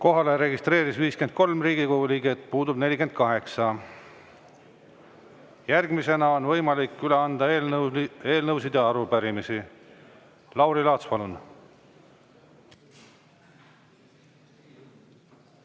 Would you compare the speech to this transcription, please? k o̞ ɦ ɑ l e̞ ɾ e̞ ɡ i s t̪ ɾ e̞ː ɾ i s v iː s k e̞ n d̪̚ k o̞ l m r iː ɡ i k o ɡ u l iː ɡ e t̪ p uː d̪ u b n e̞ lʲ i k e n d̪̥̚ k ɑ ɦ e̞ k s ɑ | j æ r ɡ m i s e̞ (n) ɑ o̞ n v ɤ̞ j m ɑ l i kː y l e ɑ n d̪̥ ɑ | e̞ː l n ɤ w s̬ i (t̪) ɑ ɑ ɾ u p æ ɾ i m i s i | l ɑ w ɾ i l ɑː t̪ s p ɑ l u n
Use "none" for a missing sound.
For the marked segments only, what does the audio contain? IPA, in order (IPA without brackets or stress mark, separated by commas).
n, d̪